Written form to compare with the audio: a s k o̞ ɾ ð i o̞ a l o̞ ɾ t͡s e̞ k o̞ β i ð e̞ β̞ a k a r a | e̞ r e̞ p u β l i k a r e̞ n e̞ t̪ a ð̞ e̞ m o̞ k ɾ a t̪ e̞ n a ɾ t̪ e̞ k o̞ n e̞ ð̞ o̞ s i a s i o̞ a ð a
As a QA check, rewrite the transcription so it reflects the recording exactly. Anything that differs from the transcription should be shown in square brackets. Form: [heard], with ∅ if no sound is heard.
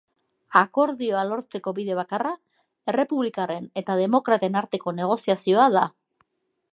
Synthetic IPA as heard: a [∅] k o̞ ɾ ð i o̞ a l o̞ ɾ t͡s e̞ k o̞ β i ð e̞ β̞ a k a r a | e̞ r e̞ p u β l i k a r e̞ n e̞ t̪ a ð̞ e̞ m o̞ k ɾ a t̪ e̞ n a ɾ t̪ e̞ k o̞ n e̞ [ɣ̞] o̞ s i a s i o̞ a ð a